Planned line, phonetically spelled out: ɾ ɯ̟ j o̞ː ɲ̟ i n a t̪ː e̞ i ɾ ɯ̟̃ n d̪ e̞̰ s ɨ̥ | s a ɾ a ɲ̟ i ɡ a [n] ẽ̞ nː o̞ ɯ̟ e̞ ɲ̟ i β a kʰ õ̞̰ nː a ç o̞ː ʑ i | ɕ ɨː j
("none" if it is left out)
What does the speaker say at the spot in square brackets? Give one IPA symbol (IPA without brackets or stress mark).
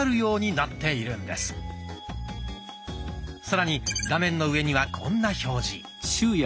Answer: m